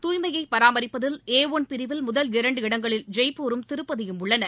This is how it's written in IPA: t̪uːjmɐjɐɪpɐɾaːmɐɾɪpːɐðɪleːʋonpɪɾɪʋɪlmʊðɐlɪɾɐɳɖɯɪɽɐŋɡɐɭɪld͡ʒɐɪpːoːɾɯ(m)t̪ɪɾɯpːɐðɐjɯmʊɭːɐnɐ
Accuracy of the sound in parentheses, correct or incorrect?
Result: correct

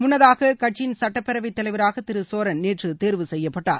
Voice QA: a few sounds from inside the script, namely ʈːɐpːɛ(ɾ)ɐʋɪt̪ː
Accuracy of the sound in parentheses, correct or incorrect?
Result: correct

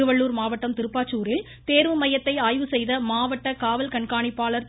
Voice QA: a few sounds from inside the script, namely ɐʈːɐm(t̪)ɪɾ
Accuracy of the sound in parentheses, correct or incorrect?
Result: correct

